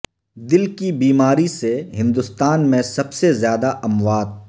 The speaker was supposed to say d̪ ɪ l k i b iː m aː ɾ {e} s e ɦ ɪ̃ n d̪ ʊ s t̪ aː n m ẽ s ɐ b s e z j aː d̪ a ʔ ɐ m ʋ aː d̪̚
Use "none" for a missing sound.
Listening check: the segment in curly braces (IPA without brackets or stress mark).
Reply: i